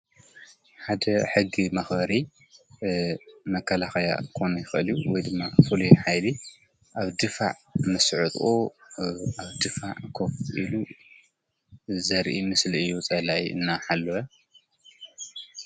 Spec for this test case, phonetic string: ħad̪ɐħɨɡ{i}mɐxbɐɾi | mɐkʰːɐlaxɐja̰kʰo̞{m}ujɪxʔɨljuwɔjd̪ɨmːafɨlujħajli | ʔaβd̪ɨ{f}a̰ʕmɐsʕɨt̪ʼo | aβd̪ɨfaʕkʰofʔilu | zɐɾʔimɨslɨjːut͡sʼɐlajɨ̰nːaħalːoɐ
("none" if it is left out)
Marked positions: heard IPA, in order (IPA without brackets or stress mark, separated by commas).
i, n, f